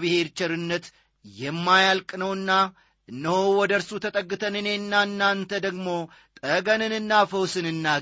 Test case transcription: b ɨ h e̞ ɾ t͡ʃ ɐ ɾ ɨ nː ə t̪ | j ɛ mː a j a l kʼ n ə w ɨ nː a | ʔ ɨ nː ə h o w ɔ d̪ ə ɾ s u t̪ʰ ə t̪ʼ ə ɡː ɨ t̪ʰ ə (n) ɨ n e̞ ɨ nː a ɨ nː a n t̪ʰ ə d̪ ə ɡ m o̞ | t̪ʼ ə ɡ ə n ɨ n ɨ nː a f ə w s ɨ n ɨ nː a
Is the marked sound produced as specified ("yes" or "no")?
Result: yes